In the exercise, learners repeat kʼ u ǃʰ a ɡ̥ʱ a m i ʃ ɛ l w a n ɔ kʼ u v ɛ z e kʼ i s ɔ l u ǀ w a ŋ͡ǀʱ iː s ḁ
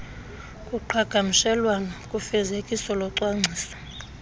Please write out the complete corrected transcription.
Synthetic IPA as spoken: kʼ u ǃʰ a ɡ̥ʱ a m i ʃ ɛ l w a n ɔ kʼ u f ɛ z e kʼ i s ɔ l ɔ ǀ w a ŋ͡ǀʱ iː s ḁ